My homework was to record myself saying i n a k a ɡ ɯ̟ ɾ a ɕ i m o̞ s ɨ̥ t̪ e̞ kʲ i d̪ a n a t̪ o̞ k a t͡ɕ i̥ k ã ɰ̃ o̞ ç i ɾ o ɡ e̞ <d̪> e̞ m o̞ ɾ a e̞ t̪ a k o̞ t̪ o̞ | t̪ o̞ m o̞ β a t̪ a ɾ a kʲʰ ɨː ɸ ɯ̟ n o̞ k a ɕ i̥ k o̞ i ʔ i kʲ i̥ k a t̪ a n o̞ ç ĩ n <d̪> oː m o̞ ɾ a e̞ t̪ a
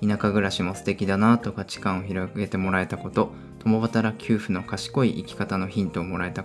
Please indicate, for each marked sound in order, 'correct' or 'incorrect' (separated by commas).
incorrect, incorrect